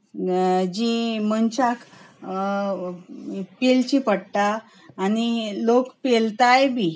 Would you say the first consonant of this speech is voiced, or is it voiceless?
voiced